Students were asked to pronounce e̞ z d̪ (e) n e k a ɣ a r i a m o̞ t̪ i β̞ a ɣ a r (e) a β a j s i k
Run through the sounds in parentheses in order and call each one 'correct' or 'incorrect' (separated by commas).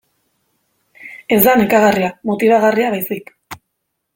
incorrect, incorrect